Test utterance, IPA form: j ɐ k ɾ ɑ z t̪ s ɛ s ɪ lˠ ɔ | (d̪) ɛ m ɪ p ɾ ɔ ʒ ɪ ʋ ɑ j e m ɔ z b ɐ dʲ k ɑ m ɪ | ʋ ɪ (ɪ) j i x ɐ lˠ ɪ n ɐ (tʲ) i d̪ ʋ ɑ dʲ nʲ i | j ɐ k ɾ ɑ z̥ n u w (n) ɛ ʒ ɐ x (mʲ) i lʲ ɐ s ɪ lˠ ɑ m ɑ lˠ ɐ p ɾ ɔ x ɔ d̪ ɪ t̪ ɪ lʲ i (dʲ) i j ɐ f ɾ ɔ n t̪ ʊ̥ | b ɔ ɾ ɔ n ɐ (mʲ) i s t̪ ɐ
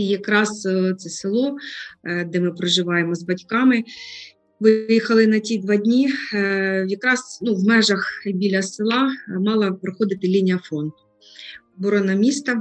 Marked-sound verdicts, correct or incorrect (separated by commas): correct, correct, correct, incorrect, incorrect, incorrect, correct